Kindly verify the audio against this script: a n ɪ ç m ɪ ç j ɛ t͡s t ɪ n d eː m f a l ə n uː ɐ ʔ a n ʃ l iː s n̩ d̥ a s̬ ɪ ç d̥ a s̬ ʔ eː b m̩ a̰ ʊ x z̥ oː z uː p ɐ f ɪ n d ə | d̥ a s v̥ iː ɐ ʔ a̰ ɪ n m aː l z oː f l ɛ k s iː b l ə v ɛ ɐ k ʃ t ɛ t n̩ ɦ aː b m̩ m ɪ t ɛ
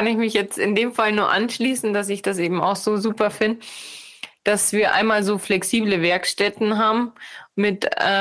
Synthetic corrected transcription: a n ɪ ç m ɪ ç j ɛ t͡s t ɪ n d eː m f a l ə n uː ɐ ʔ a n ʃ l iː s n̩ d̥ a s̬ ɪ ç d̥ a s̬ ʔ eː b m̩ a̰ ʊ x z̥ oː z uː p ɐ f ɪ n d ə | d̥ a s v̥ iː ɐ ʔ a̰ ɪ n m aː l z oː f l ɛ k s iː b l ə v ɛ ɐ k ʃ t ɛ t n̩ ɦ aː b m̩ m ɪ t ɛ